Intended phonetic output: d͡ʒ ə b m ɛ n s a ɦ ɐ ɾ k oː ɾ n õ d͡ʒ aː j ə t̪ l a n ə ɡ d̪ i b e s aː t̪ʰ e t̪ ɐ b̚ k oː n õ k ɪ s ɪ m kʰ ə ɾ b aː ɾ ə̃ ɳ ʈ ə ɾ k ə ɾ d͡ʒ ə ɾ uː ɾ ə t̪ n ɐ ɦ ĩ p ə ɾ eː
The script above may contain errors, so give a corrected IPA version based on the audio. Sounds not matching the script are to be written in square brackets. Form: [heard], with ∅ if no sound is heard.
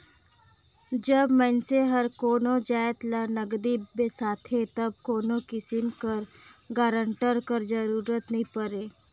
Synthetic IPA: d͡ʒ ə b m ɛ n s [e] ɦ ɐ ɾ k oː [∅] n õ d͡ʒ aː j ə t̪ l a n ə ɡ d̪ i b e s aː t̪ʰ e t̪ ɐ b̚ k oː n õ k ɪ s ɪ m [k] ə ɾ [ɡ] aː ɾ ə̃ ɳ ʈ ə ɾ k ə ɾ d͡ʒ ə ɾ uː ɾ ə t̪ n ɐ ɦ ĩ p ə ɾ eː